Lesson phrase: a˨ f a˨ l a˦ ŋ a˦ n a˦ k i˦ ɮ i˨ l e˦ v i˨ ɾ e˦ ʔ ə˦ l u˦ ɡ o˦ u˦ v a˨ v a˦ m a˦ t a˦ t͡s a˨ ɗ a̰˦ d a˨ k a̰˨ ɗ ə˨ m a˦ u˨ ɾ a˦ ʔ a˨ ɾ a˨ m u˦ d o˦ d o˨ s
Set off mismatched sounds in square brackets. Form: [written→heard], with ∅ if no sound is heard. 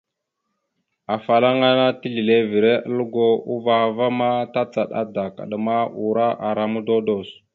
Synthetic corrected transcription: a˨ f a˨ l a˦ ŋ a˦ n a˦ [k→t] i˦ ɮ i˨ l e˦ v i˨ ɾ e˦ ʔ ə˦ l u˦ ɡ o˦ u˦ v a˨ v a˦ m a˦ t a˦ t͡s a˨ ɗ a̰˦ d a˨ k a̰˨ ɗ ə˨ m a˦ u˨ ɾ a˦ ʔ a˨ ɾ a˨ m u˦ d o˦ d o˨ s